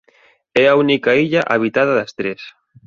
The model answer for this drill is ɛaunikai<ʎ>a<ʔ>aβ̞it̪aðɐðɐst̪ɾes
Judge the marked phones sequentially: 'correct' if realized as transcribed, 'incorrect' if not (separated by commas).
correct, correct